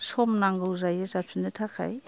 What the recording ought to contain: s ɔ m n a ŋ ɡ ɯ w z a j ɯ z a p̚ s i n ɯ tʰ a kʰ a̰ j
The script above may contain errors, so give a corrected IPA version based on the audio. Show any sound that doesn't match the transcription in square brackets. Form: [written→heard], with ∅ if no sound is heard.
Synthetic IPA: s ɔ m n a ŋ ɡ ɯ w z a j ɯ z a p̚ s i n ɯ tʰ a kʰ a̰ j